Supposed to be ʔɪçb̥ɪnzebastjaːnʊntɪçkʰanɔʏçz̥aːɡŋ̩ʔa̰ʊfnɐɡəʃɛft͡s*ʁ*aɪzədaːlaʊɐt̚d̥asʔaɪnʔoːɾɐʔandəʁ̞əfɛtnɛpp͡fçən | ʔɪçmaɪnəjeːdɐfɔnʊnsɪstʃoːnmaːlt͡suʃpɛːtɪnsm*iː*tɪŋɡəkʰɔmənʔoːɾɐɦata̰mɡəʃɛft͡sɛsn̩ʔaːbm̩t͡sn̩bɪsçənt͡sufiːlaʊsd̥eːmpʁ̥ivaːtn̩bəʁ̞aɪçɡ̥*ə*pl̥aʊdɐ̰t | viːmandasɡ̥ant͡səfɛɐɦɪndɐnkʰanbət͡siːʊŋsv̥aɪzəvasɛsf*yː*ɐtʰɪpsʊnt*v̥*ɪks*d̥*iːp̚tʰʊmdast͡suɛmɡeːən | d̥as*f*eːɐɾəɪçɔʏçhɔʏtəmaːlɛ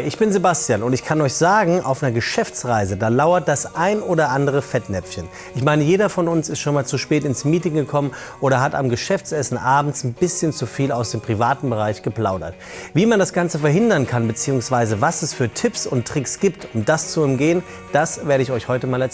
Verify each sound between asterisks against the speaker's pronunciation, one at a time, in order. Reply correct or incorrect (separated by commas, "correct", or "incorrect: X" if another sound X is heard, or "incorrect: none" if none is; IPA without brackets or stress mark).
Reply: correct, correct, correct, correct, incorrect: ʁ̥, incorrect: ɡ̥, incorrect: v